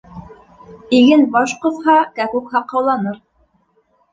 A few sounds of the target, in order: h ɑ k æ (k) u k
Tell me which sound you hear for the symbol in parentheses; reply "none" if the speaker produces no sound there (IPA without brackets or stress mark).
k